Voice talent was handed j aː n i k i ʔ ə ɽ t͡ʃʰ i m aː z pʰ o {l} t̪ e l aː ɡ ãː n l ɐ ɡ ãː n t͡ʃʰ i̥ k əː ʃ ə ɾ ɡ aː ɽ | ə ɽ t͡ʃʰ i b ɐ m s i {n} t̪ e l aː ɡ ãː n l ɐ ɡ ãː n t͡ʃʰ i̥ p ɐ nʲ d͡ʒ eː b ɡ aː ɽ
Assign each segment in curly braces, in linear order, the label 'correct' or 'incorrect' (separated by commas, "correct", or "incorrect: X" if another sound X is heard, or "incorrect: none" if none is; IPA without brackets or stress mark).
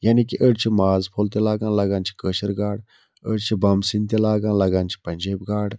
correct, correct